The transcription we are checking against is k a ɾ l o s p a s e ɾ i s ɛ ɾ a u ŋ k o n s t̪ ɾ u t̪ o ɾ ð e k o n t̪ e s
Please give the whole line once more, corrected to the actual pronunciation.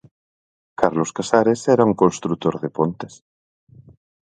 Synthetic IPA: k a ɾ l o s k a s a ɾ e s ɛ ɾ a u ŋ k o n s t̪ ɾ u t̪ o ɾ ð e p o n t̪ e s